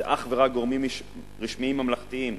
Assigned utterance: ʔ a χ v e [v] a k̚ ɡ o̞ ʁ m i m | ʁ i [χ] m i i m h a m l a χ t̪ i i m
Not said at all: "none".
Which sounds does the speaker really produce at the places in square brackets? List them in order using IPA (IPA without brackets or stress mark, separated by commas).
ʁ, ʃ